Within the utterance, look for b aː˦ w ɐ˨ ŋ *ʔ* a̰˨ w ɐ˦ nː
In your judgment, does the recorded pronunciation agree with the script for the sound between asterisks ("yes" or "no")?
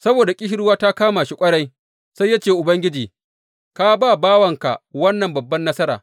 no